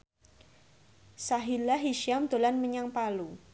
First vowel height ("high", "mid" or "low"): low